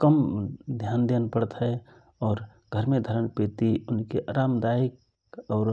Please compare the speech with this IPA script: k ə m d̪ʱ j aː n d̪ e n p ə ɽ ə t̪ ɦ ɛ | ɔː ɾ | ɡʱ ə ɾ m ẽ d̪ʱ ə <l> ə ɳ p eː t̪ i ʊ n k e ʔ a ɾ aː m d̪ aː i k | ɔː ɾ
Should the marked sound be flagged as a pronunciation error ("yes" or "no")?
yes